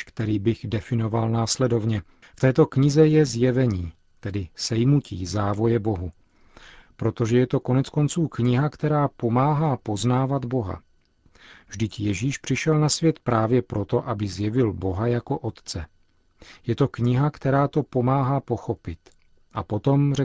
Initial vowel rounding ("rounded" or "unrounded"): unrounded